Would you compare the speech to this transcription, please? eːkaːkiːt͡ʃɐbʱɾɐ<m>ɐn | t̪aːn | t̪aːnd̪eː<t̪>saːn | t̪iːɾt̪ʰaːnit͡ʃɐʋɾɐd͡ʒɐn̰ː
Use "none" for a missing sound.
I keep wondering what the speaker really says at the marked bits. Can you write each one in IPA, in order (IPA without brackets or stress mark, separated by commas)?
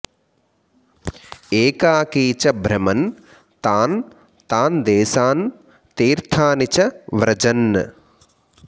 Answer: m, none